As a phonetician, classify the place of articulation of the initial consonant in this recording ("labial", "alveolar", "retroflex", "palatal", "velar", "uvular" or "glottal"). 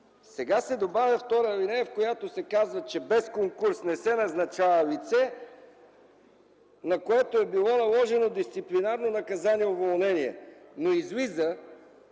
alveolar